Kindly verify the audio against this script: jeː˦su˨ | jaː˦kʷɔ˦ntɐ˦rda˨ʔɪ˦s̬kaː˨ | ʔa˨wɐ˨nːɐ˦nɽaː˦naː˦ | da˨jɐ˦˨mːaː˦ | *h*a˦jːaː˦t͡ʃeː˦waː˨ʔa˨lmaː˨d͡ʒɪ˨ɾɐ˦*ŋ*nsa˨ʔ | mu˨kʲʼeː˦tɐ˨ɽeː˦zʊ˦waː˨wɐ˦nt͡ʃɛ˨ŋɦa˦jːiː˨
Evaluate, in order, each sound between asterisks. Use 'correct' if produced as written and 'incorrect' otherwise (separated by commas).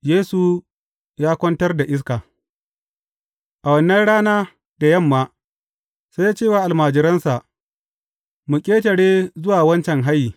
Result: incorrect, incorrect